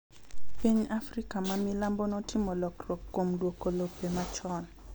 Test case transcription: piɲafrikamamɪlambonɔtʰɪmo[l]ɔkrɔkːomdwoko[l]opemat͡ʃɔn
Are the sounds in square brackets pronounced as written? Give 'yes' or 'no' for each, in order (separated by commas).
yes, yes